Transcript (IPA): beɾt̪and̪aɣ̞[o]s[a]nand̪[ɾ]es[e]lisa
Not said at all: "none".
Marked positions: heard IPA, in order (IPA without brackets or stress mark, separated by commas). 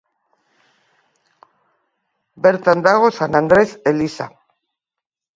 o, a, ɾ, e